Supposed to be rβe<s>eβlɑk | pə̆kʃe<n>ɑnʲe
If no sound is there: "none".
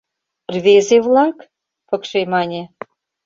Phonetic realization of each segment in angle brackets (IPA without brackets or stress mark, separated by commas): z, m